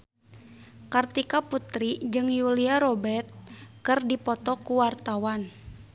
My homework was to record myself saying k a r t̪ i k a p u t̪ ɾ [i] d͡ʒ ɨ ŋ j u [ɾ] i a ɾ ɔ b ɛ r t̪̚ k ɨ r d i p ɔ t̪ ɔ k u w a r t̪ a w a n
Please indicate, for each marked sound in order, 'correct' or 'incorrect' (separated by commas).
correct, incorrect